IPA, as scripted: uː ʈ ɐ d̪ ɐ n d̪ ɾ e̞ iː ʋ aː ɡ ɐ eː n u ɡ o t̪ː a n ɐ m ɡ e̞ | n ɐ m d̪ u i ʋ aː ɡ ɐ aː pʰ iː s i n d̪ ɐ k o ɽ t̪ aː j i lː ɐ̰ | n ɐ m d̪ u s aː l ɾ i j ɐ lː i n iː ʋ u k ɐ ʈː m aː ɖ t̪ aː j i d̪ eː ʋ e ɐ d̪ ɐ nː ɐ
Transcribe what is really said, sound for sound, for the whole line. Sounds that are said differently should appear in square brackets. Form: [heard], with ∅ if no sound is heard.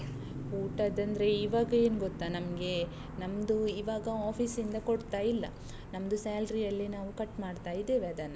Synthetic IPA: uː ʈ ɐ d̪ ɐ n d̪ ɾ e̞ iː ʋ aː ɡ ɐ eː n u ɡ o t̪ː a n ɐ m ɡ e̞ | n ɐ m d̪ u i ʋ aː ɡ ɐ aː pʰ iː s i n d̪ ɐ k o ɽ t̪ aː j i lː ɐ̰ | n ɐ m d̪ u s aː l ɾ i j ɐ lː i n [aː] ʋ u k ɐ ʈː m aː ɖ t̪ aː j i d̪ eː ʋ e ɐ d̪ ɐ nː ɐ